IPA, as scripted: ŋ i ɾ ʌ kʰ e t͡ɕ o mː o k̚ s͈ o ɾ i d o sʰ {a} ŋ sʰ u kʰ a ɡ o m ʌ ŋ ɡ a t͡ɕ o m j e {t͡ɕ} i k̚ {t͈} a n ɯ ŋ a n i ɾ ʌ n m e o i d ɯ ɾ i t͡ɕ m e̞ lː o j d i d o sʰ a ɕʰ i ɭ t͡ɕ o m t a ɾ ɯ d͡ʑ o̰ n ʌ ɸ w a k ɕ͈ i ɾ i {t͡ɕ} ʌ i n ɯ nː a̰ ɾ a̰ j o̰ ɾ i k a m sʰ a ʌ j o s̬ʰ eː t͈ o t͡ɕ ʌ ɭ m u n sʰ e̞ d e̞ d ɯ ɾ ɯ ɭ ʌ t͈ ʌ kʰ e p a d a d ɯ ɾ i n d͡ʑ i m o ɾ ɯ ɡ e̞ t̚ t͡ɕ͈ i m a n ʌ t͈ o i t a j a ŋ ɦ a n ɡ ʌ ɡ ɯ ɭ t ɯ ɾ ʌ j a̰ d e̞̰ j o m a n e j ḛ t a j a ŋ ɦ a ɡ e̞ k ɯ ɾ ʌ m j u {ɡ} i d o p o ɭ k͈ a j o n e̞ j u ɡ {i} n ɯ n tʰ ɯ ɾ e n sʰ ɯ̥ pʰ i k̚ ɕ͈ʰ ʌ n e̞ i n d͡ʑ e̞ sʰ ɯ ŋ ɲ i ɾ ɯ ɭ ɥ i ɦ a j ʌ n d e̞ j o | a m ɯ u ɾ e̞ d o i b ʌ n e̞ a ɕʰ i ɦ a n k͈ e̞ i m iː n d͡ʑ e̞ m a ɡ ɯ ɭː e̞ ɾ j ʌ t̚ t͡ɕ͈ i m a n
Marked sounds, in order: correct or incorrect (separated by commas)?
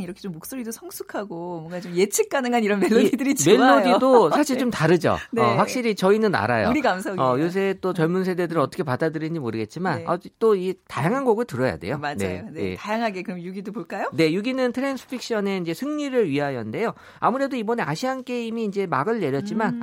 incorrect, incorrect, incorrect, correct, correct, correct